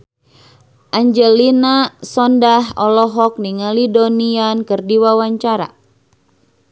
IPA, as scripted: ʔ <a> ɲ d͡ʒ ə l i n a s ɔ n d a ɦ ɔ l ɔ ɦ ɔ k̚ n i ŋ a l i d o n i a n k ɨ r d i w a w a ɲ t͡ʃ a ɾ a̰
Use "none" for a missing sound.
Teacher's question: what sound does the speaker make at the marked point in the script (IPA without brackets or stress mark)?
a